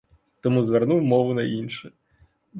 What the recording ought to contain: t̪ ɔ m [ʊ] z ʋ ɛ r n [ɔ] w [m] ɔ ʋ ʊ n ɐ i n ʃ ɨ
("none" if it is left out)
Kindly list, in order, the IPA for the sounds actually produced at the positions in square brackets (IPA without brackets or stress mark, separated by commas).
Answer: u, u, m